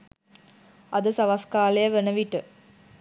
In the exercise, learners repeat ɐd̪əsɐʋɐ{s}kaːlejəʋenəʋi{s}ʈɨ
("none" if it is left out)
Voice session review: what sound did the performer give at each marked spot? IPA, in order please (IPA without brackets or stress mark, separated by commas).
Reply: s, none